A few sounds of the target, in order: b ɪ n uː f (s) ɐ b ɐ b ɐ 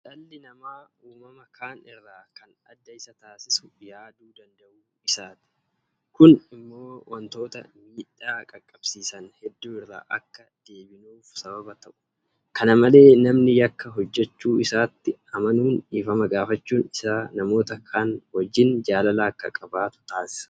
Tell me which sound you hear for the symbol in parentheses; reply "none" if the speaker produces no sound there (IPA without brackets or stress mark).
s